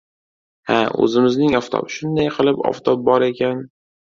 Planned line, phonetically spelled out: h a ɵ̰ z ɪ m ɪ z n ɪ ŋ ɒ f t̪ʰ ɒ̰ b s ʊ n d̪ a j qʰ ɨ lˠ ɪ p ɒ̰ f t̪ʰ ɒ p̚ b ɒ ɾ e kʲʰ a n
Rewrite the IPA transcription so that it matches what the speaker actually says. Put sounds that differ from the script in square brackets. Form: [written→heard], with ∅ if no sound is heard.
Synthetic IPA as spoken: h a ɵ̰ z ɪ m ɪ z n ɪ ŋ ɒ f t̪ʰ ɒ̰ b [s→ʃ] ʊ n d̪ a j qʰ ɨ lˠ ɪ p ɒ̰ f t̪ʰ ɒ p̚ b ɒ ɾ e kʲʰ a n